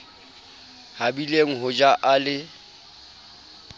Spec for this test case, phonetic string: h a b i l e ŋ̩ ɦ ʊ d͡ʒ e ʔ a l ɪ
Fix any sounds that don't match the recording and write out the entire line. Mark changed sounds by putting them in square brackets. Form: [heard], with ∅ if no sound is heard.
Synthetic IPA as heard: h a b i l e ŋ̩ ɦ ʊ d͡ʒ [a] ʔ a l ɪ